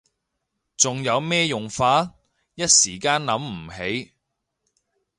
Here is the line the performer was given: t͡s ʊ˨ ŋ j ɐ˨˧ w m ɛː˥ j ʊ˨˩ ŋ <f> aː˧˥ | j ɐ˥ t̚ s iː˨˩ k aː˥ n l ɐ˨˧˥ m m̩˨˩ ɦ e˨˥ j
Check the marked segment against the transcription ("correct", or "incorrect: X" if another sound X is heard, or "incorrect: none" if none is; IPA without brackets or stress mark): correct